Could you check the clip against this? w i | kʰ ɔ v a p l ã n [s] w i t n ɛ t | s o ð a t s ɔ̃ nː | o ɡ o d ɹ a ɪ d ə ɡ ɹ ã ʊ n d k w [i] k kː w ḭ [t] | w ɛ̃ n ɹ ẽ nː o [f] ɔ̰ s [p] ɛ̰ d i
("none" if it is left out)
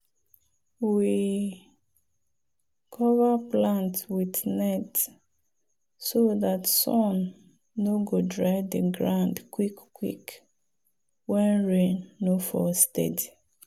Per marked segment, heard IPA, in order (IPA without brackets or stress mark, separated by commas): t, i, k, f, t